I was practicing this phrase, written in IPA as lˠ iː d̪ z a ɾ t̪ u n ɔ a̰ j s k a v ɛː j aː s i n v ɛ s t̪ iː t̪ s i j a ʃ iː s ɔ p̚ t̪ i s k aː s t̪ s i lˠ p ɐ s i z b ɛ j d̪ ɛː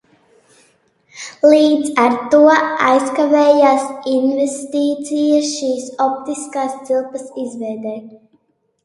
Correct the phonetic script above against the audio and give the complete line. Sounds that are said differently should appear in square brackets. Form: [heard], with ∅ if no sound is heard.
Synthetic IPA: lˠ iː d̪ z a ɾ t̪ u [∅] ɔ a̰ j s k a v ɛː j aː s i n v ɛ s t̪ iː t̪ s i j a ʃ iː s ɔ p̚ t̪ i s k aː s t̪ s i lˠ p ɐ s i z [v] ɛ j d̪ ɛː